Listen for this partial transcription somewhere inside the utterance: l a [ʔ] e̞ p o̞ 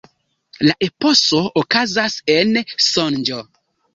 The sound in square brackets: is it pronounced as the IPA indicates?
yes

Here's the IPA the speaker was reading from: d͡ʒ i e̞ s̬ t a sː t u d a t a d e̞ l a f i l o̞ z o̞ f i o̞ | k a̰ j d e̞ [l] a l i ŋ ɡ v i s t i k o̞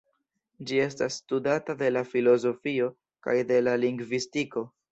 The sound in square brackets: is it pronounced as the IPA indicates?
yes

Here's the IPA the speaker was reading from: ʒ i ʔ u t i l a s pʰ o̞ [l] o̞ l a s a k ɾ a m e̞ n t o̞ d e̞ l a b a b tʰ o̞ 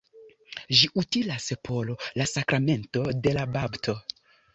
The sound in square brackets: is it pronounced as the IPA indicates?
yes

